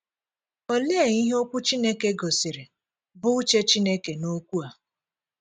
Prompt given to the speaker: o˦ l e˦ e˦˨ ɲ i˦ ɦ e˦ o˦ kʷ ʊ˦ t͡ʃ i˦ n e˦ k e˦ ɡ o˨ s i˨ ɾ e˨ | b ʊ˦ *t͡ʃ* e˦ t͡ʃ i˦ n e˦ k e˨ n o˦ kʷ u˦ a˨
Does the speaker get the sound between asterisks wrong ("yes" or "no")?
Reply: no